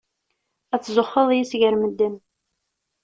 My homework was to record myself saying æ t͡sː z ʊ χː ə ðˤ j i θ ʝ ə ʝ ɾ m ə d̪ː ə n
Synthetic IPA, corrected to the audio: æ t͡sː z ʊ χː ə ðˤ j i s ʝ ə ɾ m ə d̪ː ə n